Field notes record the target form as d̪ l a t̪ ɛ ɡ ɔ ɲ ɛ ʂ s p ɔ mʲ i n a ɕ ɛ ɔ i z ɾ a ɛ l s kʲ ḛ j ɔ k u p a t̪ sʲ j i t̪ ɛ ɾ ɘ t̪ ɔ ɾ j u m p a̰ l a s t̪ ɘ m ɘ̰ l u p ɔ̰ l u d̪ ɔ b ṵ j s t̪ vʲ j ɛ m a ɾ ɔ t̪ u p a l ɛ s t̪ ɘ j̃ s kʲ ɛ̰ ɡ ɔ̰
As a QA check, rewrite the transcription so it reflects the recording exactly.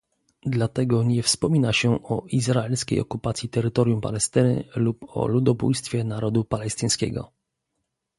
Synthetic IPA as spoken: d̪ l a t̪ ɛ ɡ ɔ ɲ ɛ f s p ɔ mʲ i n a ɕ ɛ ɔ i z ɾ a ɛ l s kʲ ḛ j ɔ k u p a t̪ sʲ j i t̪ ɛ ɾ ɘ t̪ ɔ ɾ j u m p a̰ l ɛ s t̪ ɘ n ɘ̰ l u p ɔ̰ l u d̪ ɔ b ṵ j s t̪ fʲ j ɛ n a ɾ ɔ d̪ u p a l ɛ s t̪ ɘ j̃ s kʲ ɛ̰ ɡ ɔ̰